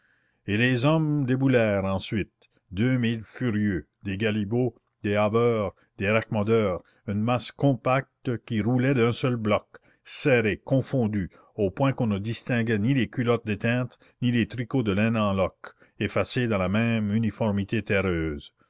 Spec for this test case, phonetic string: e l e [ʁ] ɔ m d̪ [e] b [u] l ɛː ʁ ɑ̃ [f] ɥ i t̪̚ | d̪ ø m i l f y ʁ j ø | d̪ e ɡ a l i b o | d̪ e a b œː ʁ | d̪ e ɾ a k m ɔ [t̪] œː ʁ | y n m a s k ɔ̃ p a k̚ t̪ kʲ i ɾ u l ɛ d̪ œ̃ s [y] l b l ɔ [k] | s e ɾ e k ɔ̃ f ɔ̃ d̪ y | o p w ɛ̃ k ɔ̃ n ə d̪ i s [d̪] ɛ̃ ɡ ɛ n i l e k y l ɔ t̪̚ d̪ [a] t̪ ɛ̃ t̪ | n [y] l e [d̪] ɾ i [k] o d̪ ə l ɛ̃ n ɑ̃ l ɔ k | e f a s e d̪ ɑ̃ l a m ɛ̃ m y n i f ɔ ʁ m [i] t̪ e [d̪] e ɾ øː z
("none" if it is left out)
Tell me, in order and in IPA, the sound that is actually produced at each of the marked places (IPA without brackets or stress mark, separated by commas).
z, e, u, s, d̪, œ, k, t̪, e, i, t̪, k, i, t̪